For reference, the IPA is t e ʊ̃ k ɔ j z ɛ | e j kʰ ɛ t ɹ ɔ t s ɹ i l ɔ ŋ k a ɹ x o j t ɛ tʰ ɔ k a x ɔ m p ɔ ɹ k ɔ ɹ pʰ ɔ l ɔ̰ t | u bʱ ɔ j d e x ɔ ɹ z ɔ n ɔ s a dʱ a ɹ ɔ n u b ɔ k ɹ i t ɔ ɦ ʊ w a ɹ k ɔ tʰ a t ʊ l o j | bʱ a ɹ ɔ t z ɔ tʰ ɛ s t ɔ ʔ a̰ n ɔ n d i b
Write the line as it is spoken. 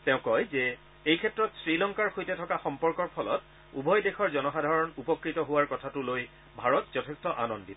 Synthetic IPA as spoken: t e ʊ̃ k ɔ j z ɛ | e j kʰ ɛ t ɹ ɔ t s ɹ i l ɔ ŋ k a ɹ x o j t ɛ tʰ ɔ k a x ɔ m p ɔ ɹ k ɔ ɹ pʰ ɔ l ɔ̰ t | u bʱ ɔ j d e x ɔ ɹ z ɔ n ɔ x a dʱ a ɹ ɔ n u p ɔ k ɹ i t ɔ ɦ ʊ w a ɹ k ɔ tʰ a t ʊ l o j | bʱ a ɹ ɔ t z ɔ tʰ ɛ s t ɔ ʔ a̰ n ɔ n d i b